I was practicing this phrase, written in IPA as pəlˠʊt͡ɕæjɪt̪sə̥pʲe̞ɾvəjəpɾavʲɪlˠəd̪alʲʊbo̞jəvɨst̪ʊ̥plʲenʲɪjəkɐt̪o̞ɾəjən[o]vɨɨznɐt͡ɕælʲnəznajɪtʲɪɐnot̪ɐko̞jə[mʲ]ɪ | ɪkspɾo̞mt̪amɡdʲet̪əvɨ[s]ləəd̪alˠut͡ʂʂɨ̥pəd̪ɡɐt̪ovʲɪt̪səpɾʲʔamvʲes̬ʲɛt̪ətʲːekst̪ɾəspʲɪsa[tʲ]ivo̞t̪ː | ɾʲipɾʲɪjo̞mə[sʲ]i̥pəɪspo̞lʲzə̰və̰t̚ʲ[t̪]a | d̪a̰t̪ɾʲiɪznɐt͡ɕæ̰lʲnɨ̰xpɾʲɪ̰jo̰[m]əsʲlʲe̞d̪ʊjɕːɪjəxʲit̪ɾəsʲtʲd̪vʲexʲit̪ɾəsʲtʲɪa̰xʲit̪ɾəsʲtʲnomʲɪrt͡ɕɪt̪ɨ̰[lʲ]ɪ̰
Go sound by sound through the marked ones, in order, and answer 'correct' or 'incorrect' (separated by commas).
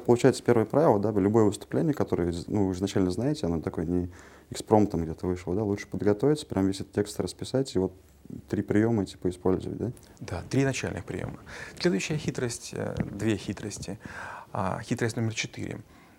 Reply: incorrect, incorrect, incorrect, correct, incorrect, incorrect, correct, incorrect